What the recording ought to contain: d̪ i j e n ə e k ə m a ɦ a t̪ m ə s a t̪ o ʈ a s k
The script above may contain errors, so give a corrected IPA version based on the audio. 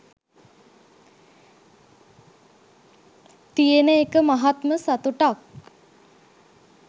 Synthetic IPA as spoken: t̪ i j e n ə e k ə m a ɦ a t̪ m ə s a t̪ u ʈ a k